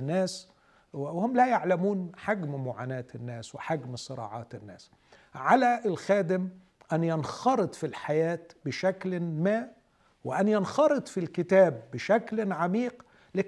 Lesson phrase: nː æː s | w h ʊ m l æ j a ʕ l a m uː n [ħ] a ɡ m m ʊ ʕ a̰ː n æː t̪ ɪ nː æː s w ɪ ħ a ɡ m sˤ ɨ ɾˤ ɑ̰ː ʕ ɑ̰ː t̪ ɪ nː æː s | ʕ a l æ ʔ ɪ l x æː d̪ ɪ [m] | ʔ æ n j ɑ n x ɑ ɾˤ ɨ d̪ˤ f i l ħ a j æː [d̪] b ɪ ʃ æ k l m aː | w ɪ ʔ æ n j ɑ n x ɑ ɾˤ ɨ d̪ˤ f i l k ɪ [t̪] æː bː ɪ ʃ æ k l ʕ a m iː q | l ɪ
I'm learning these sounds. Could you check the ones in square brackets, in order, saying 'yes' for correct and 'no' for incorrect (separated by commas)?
yes, yes, no, yes